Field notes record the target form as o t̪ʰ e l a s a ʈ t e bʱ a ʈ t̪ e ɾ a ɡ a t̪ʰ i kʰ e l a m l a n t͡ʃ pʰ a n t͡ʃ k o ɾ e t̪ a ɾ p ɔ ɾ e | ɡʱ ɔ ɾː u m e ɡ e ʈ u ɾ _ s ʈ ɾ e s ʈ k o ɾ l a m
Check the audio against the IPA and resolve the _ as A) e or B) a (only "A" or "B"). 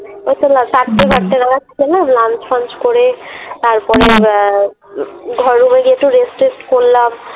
A